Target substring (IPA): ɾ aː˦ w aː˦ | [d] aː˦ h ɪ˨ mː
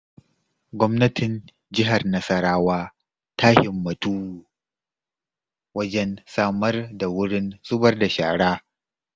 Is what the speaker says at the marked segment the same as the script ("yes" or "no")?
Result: no